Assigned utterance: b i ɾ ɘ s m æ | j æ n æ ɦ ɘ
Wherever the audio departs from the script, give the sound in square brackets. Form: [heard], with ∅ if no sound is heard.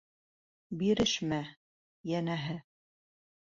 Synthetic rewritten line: b i ɾ ɘ [ʃ] m æ | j æ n æ ɦ ɘ